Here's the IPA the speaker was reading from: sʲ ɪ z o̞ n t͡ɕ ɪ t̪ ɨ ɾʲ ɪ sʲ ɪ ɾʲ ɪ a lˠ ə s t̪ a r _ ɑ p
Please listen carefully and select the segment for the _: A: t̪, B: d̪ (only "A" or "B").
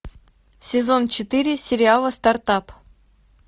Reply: A